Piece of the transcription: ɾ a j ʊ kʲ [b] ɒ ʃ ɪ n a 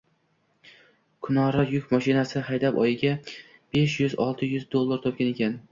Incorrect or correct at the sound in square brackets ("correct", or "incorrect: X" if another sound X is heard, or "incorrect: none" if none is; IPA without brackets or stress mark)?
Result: incorrect: m